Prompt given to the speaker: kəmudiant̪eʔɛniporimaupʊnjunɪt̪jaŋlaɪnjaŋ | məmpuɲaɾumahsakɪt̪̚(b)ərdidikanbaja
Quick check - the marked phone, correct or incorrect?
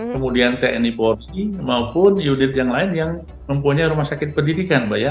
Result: incorrect